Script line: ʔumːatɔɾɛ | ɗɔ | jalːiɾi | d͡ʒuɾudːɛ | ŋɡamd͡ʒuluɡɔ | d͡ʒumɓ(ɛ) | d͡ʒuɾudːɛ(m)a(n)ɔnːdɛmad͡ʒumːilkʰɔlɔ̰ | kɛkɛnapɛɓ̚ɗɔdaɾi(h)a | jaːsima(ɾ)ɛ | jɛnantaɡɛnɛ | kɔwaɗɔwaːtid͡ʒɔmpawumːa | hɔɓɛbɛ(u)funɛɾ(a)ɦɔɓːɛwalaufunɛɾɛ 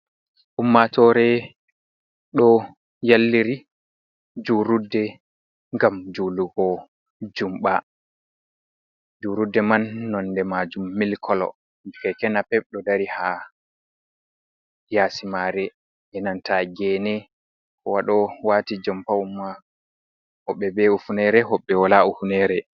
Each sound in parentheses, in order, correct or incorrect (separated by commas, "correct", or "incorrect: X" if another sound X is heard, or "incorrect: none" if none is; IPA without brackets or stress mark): incorrect: a, correct, incorrect: nː, correct, correct, correct, incorrect: ɛ